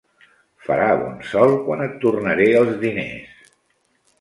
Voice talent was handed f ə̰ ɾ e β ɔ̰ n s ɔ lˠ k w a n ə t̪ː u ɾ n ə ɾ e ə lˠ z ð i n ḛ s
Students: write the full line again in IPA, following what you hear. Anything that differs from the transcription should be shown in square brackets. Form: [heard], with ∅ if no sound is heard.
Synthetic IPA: f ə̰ ɾ [a] β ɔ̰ n s ɔ lˠ k w a n ə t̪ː u [r] n ə ɾ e ə lˠ z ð i n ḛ s